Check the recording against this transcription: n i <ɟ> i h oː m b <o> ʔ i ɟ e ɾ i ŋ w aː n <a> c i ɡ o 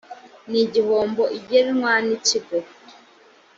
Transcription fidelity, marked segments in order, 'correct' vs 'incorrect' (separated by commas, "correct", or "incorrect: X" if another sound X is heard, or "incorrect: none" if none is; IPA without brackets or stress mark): correct, correct, incorrect: i